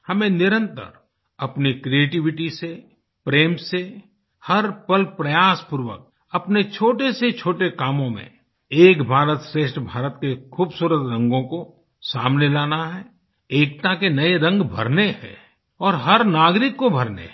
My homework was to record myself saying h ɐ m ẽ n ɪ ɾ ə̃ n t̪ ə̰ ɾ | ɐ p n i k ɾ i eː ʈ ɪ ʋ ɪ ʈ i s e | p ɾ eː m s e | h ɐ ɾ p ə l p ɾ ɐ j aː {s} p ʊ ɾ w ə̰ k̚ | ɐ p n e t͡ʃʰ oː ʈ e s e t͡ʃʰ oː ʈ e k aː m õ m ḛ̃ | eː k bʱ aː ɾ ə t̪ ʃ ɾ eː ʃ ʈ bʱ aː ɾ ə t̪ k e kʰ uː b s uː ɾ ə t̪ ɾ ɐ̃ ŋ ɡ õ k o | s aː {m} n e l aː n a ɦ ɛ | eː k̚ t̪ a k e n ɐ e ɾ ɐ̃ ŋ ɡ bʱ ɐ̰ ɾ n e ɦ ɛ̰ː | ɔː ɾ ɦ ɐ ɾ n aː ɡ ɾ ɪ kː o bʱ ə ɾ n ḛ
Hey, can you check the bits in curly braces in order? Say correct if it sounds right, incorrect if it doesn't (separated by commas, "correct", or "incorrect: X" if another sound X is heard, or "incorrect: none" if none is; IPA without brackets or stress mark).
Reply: correct, correct